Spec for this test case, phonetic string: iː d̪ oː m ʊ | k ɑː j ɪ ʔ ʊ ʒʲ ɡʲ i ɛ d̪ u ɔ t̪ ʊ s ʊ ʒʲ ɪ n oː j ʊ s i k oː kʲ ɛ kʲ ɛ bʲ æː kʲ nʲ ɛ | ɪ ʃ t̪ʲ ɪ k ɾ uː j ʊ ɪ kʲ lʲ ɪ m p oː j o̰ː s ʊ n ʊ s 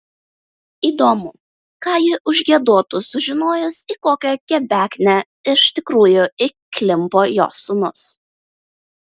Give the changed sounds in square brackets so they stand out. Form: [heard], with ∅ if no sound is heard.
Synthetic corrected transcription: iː d̪ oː m ʊ | k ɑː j ɪ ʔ ʊ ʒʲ ɡʲ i ɛ d̪ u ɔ t̪ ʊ s ʊ ʒʲ ɪ n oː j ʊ s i k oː kʲ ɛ kʲ ɛ bʲ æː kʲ nʲ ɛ | ɪ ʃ t̪ʲ ɪ k ɾ uː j ʊ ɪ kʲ lʲ ɪ m p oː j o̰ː s ʊ n ʊ s